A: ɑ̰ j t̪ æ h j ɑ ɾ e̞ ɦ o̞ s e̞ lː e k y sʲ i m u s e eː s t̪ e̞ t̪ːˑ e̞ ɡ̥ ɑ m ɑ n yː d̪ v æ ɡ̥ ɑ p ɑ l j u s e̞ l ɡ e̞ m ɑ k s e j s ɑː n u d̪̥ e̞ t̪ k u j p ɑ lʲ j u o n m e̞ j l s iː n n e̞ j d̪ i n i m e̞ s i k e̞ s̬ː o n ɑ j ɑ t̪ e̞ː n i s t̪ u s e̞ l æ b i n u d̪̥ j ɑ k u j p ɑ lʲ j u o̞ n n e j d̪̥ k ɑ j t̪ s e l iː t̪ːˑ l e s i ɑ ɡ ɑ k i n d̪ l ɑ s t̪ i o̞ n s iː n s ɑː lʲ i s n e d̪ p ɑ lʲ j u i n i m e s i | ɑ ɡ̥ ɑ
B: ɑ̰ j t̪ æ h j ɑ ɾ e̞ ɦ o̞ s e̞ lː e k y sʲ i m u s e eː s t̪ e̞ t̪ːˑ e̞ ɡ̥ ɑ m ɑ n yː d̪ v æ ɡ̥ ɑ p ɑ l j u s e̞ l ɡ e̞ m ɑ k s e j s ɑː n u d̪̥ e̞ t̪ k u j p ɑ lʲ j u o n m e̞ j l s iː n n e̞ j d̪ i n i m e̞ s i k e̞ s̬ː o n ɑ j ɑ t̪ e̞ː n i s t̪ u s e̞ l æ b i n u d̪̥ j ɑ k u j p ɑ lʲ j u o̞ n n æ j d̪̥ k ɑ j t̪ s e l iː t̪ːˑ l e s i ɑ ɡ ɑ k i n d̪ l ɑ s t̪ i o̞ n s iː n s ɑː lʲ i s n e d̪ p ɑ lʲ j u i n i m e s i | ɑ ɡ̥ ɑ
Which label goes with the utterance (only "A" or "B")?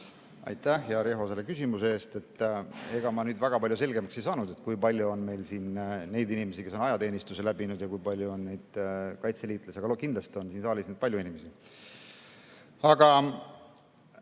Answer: A